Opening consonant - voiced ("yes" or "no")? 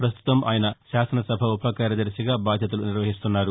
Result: no